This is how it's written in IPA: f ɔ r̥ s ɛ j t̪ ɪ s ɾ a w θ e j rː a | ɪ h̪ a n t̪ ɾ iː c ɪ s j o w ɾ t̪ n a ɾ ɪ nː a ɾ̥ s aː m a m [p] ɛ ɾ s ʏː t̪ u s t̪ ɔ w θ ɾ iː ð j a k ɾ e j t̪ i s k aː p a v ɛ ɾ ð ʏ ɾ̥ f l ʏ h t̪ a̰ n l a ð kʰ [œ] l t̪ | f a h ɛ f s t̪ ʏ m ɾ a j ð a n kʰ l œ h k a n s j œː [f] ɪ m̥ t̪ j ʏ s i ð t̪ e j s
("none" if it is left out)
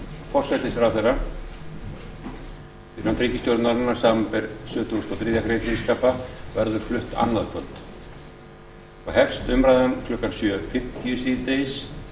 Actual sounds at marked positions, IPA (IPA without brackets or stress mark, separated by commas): p, œ, f